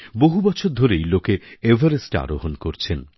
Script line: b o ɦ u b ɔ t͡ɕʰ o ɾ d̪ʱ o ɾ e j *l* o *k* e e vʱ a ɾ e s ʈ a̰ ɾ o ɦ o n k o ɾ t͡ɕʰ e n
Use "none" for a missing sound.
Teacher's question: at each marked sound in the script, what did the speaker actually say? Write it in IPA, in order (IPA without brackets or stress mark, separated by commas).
l, k